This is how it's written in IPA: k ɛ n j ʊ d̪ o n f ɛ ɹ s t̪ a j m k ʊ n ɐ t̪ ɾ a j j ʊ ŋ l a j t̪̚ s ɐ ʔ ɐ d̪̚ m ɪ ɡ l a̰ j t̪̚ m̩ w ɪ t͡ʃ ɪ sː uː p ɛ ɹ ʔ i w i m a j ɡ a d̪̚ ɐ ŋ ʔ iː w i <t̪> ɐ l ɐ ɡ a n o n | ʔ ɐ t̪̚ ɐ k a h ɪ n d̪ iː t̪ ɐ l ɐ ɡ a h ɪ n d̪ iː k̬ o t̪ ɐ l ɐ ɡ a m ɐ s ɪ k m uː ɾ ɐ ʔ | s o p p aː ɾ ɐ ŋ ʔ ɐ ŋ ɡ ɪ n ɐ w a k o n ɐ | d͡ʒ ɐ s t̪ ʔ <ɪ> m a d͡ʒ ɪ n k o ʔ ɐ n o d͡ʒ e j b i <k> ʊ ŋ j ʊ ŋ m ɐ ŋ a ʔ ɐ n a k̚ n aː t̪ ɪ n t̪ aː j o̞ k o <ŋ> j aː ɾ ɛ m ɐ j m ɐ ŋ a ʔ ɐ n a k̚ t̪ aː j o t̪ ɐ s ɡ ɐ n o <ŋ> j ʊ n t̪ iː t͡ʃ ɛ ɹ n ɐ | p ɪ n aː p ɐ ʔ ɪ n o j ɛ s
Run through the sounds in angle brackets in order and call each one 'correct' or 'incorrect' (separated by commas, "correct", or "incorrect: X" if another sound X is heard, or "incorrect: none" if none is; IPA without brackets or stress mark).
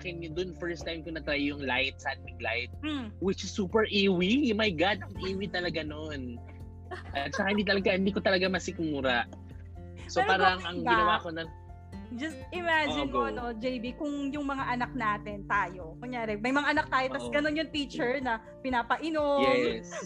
correct, correct, correct, correct, incorrect: n